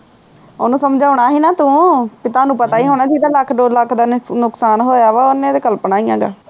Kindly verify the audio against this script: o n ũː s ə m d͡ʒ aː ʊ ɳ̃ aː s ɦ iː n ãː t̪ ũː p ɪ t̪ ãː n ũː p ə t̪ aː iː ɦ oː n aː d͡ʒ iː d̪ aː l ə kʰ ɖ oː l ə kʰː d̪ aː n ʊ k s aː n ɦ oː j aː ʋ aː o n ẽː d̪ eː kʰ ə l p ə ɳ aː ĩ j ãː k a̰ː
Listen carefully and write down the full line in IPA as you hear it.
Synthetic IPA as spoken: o n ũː s ə m d͡ʒ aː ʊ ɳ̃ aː ɦ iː n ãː t̪ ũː p ɪ t̪ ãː n ũː p ə t̪ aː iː ɦ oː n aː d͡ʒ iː d̪ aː l ə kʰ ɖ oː l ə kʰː d̪ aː n ʊ k s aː n ɦ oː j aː ʋ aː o n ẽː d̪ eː k ə l p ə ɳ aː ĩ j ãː ɡ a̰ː